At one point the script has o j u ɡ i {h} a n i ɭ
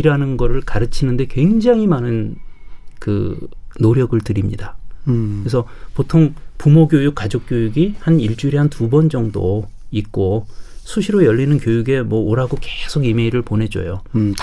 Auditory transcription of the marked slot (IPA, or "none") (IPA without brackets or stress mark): h